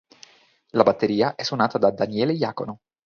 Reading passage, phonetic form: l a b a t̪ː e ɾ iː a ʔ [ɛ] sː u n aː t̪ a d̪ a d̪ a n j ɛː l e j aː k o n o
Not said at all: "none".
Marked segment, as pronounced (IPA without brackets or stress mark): ɛ